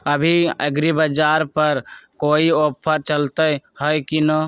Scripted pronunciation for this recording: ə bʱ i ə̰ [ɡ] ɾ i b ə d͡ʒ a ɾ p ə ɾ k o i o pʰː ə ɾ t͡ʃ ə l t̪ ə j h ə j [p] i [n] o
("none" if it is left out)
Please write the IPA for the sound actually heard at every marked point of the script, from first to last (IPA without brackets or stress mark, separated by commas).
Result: ɡ, k, n